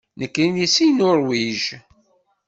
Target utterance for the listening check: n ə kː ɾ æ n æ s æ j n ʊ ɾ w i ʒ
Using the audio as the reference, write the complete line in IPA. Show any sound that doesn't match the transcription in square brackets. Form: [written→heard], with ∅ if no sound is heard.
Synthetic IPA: n ə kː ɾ [æ→i] n [æ→i] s [æ→i] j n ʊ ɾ w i ʒ